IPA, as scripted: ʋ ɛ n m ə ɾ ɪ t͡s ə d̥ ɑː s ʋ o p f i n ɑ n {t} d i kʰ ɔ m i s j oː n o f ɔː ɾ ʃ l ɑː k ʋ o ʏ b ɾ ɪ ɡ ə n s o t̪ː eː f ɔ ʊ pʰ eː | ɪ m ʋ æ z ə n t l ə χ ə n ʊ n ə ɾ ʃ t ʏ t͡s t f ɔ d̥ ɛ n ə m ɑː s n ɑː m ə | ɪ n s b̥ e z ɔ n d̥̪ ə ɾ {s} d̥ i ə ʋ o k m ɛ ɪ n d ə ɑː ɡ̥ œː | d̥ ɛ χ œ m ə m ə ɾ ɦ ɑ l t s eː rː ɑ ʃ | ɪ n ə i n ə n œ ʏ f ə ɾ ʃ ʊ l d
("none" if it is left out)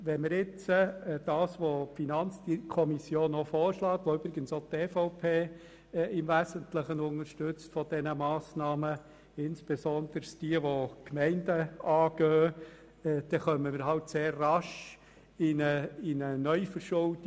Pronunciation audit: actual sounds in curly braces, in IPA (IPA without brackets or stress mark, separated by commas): t͡s, s